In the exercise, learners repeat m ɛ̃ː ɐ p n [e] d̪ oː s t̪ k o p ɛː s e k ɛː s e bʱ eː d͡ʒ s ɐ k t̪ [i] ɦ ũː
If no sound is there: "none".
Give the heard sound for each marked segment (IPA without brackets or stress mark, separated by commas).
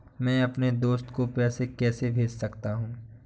e, a